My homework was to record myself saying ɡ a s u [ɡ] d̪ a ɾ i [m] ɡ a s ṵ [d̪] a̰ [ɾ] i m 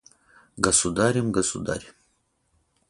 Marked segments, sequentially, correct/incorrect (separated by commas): incorrect, correct, correct, correct